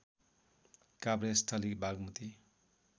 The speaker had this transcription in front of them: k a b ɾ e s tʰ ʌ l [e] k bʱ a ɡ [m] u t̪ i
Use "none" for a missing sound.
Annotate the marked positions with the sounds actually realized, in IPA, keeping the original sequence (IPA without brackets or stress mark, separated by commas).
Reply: i, m